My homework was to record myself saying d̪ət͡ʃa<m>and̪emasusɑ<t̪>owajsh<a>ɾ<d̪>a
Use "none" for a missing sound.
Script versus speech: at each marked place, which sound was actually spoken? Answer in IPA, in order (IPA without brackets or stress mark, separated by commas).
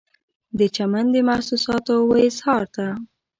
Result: m, t̪, ɑ, t̪